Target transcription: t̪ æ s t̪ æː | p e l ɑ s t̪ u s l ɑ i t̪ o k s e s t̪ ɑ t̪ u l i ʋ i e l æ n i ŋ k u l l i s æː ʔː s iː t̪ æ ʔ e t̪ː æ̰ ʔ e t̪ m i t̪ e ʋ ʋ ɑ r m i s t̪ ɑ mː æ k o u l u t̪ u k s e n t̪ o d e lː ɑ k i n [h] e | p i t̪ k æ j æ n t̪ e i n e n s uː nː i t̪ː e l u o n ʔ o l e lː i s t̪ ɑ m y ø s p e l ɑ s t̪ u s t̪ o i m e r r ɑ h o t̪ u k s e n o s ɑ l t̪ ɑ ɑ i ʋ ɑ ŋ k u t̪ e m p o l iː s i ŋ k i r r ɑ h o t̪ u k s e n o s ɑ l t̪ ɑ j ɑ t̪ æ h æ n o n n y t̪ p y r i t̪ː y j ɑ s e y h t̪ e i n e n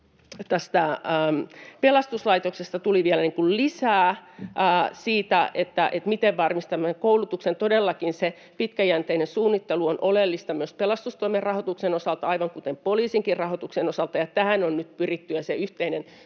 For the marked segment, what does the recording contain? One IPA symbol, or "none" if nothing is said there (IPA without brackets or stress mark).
s